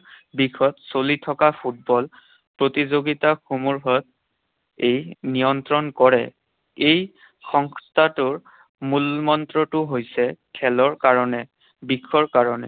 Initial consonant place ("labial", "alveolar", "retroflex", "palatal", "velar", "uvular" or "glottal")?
labial